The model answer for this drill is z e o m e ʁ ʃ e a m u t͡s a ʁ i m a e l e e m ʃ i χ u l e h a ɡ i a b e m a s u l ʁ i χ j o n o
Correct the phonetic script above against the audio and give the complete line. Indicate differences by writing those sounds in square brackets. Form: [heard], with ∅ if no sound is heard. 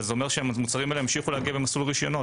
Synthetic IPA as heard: z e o m e ʁ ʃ e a m u t͡s a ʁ i m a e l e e m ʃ i χ u l e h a ɡ i a b e m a s u l ʁ i [ʃ] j o n o